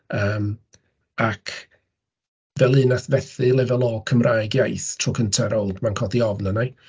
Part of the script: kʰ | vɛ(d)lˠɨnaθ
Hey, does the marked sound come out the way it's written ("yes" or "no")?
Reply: no